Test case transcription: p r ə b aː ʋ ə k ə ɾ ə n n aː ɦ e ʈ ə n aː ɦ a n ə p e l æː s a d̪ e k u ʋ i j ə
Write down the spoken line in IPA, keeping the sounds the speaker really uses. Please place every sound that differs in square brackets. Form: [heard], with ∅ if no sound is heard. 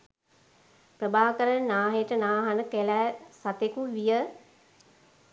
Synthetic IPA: p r ə b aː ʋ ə k ə ɾ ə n n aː ɦ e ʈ ə n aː ɦ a n ə [k] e l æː s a [t̪] e k u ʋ i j ə